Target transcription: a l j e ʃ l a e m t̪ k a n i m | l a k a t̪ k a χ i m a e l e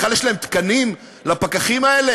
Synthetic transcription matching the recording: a l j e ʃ l a e m t̪ k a n i m | l a p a k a χ i m a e l e